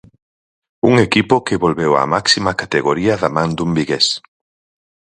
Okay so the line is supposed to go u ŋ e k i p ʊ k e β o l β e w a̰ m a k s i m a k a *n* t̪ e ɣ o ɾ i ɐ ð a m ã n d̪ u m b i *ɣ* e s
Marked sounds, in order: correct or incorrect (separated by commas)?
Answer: incorrect, correct